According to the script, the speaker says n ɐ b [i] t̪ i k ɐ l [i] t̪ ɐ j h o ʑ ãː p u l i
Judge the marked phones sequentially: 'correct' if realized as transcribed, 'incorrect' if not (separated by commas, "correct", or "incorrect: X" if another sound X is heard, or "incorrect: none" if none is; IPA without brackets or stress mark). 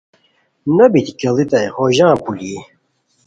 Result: correct, correct